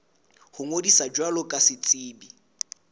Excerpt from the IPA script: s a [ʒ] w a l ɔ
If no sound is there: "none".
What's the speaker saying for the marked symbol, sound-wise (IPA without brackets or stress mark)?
d͡ʒ